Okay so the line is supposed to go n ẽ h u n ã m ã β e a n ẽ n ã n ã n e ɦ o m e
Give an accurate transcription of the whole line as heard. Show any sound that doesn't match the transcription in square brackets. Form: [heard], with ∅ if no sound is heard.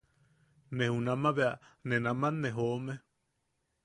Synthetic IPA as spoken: n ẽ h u n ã m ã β e a n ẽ n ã [m] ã n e ɦ o m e